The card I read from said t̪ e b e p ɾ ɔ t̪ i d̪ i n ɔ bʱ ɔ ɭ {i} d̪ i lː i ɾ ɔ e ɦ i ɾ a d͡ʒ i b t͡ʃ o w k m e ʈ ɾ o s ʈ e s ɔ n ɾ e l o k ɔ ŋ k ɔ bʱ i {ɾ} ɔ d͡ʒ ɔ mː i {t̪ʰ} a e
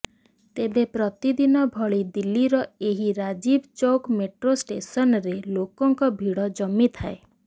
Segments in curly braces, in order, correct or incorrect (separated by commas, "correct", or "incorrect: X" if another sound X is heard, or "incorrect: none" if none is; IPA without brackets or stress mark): correct, incorrect: ɽ, correct